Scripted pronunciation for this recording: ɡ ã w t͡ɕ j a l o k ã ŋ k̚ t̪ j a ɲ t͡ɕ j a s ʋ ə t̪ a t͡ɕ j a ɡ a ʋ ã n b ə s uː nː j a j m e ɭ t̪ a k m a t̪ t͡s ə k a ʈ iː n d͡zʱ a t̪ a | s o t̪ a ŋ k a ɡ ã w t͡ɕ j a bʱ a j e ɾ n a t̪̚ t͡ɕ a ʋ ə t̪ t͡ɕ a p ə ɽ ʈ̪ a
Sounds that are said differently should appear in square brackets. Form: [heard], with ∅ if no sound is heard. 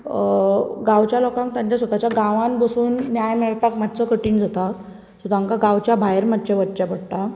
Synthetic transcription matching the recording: ɡ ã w t͡ɕ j a l o k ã ŋ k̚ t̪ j a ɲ t͡ɕ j a s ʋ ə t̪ a t͡ɕ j a ɡ a ʋ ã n b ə s uː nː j a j m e ɭ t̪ a k m a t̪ t͡s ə k [ə] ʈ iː n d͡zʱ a t̪ a | s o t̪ a ŋ k a ɡ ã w t͡ɕ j a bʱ a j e ɾ [m] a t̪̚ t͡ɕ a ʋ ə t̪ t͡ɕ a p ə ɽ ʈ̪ a